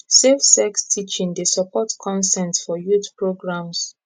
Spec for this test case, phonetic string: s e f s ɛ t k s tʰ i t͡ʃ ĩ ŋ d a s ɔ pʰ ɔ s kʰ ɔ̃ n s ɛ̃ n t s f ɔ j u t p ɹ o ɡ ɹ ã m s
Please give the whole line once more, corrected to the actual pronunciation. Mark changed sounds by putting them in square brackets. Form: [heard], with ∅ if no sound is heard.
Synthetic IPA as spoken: s e f s ɛ [∅] k s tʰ i t͡ʃ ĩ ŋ d [e] s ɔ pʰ ɔ [t] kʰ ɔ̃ n s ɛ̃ n t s f ɔ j u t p ɹ o ɡ ɹ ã m s